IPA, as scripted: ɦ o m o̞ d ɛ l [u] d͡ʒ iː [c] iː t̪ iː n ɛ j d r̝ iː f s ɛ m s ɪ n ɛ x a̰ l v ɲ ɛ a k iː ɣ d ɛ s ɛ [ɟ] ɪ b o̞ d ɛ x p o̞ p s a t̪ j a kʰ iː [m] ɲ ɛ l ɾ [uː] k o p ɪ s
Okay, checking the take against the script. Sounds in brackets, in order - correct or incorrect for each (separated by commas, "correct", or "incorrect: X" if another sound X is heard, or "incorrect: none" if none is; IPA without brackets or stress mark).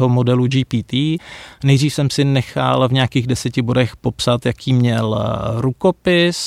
correct, incorrect: p, incorrect: c, correct, incorrect: u